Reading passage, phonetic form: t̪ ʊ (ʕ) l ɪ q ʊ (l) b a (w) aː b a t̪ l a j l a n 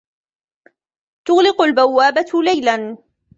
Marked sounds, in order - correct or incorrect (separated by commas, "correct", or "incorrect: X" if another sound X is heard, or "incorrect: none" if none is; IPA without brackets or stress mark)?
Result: incorrect: ɣ, correct, incorrect: wː